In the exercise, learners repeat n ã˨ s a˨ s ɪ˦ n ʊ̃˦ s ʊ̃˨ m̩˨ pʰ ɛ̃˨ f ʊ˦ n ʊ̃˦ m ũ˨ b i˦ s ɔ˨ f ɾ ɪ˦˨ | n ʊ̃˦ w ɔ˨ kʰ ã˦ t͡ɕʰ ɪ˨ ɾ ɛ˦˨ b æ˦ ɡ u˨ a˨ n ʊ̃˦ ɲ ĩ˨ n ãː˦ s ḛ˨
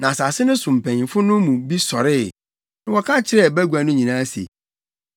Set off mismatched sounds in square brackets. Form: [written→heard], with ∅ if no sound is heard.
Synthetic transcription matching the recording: n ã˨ s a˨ s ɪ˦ n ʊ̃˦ s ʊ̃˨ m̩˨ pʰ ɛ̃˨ f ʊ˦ n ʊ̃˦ m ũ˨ b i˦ s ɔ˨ [f→∅] ɾ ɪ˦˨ | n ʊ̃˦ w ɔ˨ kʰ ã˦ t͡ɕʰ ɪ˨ ɾ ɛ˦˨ b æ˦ ɡ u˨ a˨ n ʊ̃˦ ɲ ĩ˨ n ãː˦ s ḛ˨